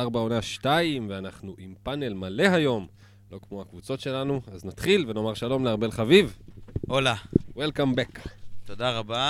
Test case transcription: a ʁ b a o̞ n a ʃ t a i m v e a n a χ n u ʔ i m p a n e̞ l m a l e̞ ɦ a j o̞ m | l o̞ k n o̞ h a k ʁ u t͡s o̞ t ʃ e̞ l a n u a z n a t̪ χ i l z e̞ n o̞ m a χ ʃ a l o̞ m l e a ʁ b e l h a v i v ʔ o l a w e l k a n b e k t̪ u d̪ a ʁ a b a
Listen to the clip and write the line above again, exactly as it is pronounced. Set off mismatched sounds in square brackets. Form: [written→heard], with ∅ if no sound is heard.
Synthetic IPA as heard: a ʁ b a o̞ n a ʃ t a i m v e a n a χ n u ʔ i m p a n e̞ l m a l e̞ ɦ a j o̞ m | l o̞ k [n→m] o̞ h a k [ʁ→v] u t͡s o̞ t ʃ e̞ l a n u a z n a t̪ χ i l [z→v] e̞ n o̞ m a [χ→ʁ] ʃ a l o̞ m l e a ʁ b e l [h→χ] a v i v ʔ o l a w e l k a [n→m] b e k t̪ [u→o] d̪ a ʁ a b a